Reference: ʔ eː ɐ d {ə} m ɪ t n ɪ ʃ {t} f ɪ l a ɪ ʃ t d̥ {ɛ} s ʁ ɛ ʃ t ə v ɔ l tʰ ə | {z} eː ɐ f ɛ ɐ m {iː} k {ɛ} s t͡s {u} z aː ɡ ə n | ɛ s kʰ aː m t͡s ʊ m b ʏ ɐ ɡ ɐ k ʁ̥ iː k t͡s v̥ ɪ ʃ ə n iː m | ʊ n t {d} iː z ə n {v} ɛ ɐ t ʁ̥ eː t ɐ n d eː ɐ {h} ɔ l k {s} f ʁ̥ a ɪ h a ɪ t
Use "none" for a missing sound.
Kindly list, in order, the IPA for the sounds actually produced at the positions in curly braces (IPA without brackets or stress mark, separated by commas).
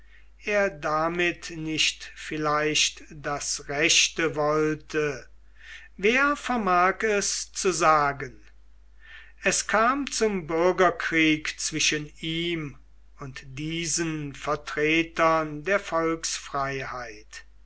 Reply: a, t, a, v, aː, ɛ, u, d, f, f, s